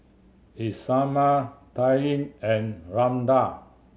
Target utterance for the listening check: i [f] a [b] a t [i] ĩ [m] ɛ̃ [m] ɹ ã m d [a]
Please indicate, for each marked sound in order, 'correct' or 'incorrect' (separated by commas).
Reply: incorrect, incorrect, incorrect, incorrect, incorrect, correct